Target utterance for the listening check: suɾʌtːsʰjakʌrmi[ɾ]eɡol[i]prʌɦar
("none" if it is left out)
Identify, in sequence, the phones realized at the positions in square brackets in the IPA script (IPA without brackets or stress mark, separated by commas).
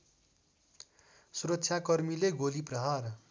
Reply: l, i